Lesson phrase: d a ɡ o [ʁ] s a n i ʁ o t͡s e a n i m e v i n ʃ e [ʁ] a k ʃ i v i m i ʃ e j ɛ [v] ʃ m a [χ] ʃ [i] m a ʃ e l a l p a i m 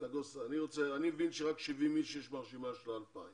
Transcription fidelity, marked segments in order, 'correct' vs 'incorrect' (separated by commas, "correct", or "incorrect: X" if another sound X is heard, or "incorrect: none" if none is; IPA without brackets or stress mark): incorrect: none, correct, incorrect: none, incorrect: ʁ, correct